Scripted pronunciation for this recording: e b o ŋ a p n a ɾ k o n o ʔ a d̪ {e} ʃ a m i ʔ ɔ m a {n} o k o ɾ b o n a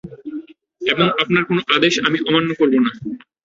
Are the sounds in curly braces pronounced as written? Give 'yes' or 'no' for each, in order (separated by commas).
yes, no